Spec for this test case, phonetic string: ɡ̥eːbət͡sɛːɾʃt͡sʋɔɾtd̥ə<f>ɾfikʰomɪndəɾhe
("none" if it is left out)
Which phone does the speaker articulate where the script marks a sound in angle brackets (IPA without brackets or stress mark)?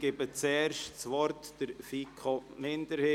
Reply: none